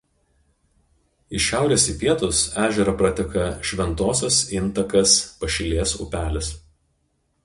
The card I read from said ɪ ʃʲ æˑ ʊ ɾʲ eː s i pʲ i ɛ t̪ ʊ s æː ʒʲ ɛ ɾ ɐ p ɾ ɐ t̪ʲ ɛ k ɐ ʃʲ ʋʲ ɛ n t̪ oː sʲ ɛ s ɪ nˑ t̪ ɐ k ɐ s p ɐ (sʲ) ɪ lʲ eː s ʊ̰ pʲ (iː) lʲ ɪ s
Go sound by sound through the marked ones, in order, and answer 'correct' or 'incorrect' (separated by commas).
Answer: incorrect, incorrect